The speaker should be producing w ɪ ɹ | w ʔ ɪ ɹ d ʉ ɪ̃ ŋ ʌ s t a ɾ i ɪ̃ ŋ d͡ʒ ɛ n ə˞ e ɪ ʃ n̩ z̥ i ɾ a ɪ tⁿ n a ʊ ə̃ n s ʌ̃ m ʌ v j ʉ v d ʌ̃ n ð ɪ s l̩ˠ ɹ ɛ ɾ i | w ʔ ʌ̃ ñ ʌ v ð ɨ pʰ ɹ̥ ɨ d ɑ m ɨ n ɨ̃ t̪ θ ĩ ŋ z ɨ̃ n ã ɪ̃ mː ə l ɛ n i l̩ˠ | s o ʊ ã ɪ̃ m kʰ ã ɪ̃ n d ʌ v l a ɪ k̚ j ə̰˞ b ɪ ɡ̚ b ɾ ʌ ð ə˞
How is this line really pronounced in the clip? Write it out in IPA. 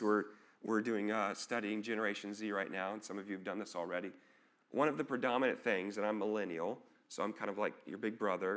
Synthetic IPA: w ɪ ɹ | w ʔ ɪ ɹ d ʉ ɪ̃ ŋ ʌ s t ʌ ɾ i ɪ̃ ŋ d͡ʒ ɛ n ə˞ e ɪ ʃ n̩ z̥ i ɹ a ɪ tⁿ n a ʊ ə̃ n s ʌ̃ m ʌ v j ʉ v d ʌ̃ n ð ɪ s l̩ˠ ɹ ɛ ɾ i | w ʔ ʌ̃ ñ ʌ v ð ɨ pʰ ɹ̥ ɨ d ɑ m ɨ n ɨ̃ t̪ θ ɪ̃ ŋ z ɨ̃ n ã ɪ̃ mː ə l ɛ n i l̩ˠ | s o ʊ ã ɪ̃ m kʰ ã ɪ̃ n d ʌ v l a ɪ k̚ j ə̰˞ b ɪ ɡ̚ b ɹ ʌ ð ə˞